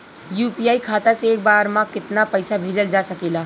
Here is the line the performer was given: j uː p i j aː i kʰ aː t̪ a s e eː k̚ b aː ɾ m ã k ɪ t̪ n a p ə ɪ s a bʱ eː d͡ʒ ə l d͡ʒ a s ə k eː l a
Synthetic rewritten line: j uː p i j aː i kʰ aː t̪ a s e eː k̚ b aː ɾ m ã k ɪ t̪ n a p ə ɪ s a bʱ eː d͡ʒ ə l d͡ʒ a s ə k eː l a